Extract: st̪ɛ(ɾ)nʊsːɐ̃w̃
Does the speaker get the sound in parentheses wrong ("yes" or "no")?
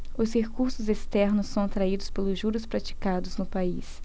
no